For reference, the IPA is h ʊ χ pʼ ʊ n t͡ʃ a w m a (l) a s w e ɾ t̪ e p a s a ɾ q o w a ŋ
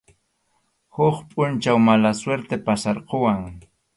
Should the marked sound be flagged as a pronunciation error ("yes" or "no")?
no